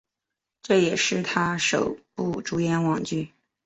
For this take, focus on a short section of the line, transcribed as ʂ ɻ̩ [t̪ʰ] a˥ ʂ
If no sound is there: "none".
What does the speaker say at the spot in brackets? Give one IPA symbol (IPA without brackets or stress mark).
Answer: t̪ʰ